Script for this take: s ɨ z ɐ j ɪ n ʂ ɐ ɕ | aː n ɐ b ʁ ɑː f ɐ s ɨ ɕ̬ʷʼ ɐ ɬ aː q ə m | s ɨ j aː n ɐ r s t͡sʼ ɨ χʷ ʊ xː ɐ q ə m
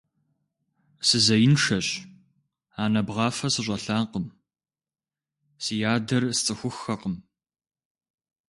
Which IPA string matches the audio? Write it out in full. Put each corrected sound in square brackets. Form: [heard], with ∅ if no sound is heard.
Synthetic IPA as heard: s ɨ z ɐ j ɪ n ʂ ɐ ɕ | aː n ɐ b ʁ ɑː f ɐ s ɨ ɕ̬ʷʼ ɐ ɬ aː q ə m | s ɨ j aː [d] ɐ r s t͡sʼ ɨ [xʷ] ʊ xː ɐ q ə m